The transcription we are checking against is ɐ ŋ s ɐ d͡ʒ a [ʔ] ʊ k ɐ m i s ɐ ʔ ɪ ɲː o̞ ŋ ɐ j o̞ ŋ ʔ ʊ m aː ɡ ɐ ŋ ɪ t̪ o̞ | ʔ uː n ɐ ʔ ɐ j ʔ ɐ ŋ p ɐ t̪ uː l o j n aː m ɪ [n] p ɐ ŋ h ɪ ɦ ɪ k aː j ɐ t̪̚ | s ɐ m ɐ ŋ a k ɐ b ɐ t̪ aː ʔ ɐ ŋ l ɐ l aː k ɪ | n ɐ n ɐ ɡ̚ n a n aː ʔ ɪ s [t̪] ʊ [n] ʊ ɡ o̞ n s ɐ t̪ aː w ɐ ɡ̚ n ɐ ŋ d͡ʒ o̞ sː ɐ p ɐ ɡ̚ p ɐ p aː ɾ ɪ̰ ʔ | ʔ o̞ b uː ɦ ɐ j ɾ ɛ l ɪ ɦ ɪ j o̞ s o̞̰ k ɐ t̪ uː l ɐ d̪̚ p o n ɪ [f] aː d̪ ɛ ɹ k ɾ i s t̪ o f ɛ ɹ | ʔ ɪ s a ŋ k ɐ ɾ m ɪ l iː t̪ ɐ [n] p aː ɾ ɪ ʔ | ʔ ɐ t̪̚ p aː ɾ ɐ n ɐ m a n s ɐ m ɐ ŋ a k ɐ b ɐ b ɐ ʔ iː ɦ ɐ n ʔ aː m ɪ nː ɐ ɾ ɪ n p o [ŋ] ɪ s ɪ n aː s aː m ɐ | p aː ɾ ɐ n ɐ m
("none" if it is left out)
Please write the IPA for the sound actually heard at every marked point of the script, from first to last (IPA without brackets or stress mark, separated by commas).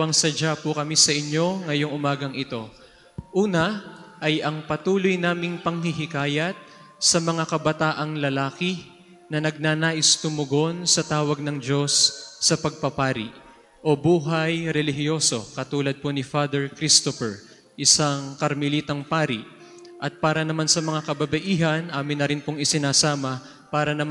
p, ŋ, t̪, m, f, ŋ, ŋ